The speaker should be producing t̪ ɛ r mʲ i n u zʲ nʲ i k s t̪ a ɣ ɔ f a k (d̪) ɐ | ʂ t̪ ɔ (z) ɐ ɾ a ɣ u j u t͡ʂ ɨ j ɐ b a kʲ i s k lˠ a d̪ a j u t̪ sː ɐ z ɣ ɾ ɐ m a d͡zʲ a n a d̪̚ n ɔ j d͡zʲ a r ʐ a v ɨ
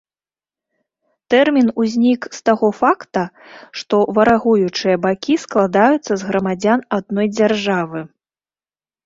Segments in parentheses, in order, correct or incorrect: incorrect: t̪, incorrect: v

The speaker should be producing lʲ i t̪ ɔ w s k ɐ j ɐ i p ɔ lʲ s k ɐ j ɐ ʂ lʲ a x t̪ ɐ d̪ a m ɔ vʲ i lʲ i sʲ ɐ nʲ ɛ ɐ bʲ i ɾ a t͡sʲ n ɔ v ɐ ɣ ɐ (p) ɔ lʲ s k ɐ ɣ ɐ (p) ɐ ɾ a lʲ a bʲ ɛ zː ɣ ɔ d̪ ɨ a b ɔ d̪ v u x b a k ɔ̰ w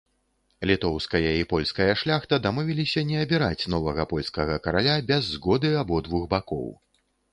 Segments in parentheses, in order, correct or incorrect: correct, incorrect: k

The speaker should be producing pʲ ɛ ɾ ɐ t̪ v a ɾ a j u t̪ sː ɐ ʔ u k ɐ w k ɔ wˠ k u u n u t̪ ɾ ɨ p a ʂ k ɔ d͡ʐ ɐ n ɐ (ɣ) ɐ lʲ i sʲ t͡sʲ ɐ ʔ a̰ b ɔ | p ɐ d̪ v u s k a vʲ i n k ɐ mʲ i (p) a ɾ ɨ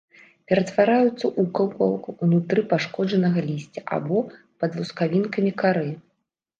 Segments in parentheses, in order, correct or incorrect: correct, incorrect: k

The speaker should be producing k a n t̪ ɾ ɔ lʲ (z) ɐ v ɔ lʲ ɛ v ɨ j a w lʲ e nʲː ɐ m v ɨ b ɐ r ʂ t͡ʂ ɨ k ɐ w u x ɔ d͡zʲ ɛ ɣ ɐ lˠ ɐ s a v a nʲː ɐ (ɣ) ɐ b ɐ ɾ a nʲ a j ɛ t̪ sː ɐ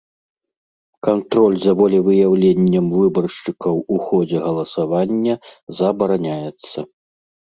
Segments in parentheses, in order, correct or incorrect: correct, incorrect: z

